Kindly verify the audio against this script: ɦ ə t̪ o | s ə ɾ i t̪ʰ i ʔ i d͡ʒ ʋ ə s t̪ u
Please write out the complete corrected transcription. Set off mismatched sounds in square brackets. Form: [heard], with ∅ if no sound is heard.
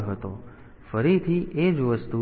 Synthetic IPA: ɦ ə t̪ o | [f] ə ɾ i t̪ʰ i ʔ [e] d͡ʒ ʋ ə s t̪ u